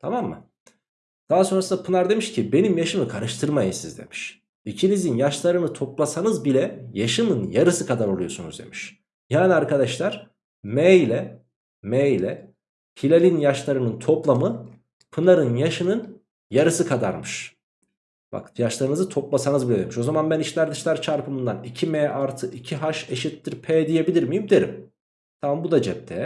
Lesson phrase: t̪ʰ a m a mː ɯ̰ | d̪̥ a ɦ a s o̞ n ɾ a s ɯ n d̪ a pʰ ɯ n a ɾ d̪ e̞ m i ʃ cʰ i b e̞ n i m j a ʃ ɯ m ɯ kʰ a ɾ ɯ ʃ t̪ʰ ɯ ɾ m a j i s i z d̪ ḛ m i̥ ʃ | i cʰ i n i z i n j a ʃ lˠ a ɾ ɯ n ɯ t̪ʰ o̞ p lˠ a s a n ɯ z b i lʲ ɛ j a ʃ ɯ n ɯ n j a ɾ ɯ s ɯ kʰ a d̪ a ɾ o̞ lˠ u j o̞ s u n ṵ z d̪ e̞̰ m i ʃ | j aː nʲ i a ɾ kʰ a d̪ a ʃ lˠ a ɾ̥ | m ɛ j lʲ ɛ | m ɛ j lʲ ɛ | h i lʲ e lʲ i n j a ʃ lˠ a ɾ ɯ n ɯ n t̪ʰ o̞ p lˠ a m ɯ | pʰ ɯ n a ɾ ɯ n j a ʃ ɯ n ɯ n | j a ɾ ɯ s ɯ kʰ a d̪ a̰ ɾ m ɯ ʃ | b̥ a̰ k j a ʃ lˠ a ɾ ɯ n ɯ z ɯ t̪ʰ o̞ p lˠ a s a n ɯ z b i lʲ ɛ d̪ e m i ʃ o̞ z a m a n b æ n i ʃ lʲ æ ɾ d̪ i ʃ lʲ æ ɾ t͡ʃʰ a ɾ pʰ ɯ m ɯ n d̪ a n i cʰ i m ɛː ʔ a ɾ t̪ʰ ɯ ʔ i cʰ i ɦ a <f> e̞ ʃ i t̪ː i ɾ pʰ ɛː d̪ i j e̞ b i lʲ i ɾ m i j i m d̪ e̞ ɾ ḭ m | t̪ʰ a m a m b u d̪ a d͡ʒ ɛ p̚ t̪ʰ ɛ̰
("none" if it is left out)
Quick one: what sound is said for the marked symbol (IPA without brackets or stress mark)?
ʃ